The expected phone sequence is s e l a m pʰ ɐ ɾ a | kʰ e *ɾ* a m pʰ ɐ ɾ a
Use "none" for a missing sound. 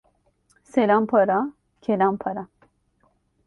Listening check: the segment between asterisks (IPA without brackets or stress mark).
l